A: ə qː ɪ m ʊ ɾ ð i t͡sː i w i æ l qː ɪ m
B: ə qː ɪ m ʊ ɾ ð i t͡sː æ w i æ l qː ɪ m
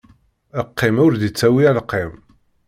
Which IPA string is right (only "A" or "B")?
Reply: B